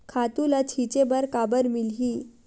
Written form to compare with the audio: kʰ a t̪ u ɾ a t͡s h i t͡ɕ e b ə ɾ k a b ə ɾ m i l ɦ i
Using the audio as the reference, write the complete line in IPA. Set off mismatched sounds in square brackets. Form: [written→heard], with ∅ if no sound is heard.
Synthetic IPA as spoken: kʰ a t̪ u [ɾ→l] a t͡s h i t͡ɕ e b ə ɾ k a b ə ɾ m i l ɦ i